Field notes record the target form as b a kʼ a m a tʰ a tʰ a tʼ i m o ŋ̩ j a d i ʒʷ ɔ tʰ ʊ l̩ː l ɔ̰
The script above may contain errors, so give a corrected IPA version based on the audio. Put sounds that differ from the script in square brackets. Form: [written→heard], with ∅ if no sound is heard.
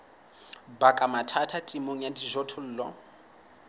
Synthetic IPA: b a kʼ a m a tʰ a tʰ a tʼ i m o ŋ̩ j a d i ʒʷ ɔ tʰ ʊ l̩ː l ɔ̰